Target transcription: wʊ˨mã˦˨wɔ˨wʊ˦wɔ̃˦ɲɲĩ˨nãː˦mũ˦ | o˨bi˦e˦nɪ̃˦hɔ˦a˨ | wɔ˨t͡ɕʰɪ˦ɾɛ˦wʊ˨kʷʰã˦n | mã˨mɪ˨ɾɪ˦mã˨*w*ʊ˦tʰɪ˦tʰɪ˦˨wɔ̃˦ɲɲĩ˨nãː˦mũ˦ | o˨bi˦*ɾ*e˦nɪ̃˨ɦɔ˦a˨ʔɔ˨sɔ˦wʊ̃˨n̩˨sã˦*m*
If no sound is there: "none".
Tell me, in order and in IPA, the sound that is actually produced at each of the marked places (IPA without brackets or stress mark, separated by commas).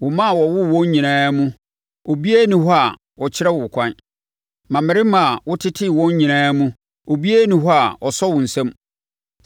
w, none, m